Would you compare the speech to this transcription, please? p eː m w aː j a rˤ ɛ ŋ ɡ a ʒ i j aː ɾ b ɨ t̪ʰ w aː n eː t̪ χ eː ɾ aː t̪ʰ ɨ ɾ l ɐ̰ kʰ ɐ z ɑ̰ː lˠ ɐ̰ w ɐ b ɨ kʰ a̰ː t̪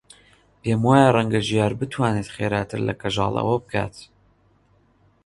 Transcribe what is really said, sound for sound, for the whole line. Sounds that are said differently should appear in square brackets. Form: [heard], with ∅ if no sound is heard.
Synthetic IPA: p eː m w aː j a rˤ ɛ ŋ ɡ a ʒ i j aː ɾ b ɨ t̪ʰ w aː n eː t̪ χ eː ɾ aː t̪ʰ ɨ ɾ l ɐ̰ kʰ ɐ [ʒ] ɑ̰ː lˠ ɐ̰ w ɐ b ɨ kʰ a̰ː t̪